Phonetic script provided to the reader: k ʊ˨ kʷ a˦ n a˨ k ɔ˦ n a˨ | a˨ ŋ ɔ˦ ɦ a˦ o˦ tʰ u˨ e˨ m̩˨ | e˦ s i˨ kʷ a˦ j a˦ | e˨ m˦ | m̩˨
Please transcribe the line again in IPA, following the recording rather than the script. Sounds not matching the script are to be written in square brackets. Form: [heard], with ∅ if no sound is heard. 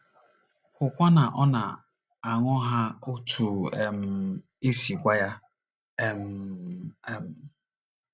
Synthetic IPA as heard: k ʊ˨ kʷ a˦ n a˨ [ʔ] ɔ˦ n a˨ | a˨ ŋ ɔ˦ ɦ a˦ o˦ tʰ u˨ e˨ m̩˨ | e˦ s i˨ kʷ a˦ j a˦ | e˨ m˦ | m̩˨